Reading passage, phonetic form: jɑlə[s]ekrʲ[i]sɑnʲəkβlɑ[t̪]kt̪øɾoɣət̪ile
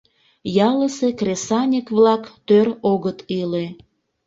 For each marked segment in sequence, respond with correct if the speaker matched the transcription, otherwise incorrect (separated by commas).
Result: correct, incorrect, incorrect